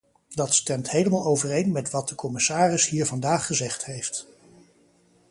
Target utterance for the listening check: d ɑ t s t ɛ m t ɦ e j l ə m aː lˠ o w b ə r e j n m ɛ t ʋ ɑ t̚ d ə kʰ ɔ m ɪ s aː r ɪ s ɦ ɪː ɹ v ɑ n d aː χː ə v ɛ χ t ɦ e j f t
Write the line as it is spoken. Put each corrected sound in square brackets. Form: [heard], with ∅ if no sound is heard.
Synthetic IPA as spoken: d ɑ t s t ɛ m t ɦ e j l ə m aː lˠ o w [v] ə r e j n m ɛ t ʋ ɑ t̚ d ə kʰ ɔ m ɪ s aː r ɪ s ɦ [iː] ɹ v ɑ n d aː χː ə [z] ɛ χ t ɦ e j f t